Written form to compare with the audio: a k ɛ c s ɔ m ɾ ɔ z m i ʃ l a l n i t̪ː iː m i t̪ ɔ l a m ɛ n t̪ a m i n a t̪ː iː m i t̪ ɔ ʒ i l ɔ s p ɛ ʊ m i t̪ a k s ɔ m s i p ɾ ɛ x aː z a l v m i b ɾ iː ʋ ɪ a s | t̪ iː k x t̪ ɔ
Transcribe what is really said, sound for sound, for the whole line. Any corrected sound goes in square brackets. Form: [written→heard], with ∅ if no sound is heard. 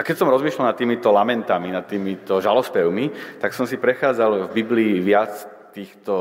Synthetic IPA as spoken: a k ɛ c s ɔ m ɾ ɔ z m i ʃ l a l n [i→a] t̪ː iː m i t̪ ɔ l a m ɛ n t̪ a m i n a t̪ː iː m i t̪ ɔ ʒ [i→a] l ɔ s p ɛ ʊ m i t̪ a k s ɔ m s i p ɾ ɛ x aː [z→d͡z] a l v [m→b] i b [ɾ→l] iː ʋ ɪ a [s→t͡s] | t̪ iː [k→∅] x t̪ ɔ